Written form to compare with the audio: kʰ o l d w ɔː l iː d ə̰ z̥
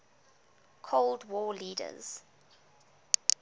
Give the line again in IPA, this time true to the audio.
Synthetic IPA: kʰ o l d w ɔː l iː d ə̰ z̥

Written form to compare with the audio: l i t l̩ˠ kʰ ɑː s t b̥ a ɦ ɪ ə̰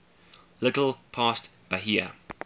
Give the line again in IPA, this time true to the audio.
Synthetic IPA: l ɪ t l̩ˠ pʰ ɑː s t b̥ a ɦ i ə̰

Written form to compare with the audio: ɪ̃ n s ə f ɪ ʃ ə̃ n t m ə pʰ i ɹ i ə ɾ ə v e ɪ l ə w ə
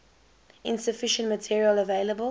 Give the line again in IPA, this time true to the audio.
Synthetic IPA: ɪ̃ n s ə f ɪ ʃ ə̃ n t m ə tʰ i ɹ i ə l ə v e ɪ l ə b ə

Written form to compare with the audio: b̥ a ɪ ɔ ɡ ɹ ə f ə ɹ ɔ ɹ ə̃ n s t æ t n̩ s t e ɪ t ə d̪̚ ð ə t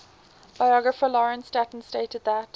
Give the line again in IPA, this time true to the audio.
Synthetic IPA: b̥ a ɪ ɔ ɡ ɹ ə f ə l ɔ ɹ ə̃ n s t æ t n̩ s t e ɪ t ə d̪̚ ð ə t

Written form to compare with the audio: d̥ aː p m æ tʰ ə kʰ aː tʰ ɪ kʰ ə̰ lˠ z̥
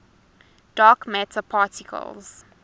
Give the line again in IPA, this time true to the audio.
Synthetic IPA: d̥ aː k m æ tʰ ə pʰ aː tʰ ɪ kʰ ə̰ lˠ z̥

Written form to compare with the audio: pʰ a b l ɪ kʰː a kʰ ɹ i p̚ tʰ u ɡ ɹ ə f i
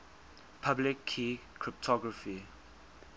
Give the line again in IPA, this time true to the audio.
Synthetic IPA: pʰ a b l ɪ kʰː i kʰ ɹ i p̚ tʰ ɔ ɡ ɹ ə f i

